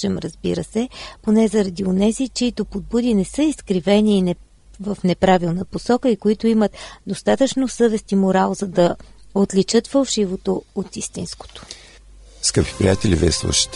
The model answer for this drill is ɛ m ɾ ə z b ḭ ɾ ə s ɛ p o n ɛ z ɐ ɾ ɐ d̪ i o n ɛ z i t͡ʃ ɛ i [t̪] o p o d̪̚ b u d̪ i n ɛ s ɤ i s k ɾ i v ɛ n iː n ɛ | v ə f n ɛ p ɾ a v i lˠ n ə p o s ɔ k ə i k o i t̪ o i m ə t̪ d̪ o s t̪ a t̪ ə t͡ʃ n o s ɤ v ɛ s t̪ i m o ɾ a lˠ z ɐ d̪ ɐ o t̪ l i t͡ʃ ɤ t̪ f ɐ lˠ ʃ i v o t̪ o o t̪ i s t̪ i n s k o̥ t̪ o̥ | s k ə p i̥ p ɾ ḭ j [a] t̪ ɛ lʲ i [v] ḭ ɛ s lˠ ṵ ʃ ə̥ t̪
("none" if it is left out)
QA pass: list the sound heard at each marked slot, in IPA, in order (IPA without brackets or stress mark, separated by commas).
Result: t̪, a, v